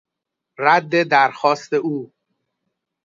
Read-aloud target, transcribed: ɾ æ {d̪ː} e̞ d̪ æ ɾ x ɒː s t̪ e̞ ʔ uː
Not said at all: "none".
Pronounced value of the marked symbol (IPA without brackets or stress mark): d̪ː